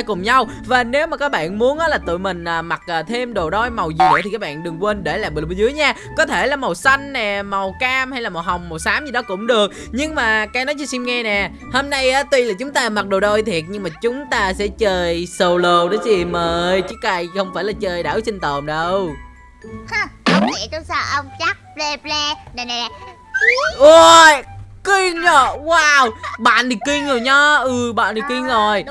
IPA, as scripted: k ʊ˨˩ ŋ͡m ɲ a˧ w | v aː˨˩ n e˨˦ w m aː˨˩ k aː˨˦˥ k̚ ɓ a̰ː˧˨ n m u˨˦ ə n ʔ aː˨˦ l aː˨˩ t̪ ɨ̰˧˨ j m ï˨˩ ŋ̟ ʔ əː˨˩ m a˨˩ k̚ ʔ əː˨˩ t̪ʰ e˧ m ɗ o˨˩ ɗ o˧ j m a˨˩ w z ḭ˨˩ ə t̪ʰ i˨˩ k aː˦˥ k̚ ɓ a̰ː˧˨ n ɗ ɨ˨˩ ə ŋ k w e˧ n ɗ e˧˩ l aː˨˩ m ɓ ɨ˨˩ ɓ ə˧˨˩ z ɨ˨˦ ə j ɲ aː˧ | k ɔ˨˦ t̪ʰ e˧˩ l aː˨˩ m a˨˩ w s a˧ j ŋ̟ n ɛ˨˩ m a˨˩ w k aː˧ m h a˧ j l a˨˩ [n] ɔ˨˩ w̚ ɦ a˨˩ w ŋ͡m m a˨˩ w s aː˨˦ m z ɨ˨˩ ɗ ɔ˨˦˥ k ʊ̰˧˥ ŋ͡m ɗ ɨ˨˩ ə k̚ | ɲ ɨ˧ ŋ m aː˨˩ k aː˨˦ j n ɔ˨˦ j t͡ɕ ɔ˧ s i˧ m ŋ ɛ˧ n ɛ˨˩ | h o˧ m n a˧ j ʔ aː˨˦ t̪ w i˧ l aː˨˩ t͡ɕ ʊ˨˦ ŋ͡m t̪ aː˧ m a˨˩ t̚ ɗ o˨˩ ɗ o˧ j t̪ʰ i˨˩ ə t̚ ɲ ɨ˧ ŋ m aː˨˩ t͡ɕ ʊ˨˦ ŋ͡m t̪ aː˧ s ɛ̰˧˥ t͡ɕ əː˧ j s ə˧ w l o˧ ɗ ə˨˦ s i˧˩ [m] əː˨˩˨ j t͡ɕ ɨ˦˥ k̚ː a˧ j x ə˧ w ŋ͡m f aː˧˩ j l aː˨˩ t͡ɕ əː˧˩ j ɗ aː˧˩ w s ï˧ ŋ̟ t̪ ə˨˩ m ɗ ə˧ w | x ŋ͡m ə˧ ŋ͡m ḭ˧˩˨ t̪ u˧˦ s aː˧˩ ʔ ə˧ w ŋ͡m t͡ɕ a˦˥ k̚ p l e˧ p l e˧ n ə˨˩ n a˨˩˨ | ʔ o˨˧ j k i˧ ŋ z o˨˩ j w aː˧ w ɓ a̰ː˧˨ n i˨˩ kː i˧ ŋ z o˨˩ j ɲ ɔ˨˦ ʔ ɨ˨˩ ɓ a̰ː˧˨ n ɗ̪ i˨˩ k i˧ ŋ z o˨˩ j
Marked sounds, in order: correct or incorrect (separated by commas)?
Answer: incorrect, correct